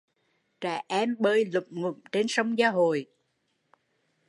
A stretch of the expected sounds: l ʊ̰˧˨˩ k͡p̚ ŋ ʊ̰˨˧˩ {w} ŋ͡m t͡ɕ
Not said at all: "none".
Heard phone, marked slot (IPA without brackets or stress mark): none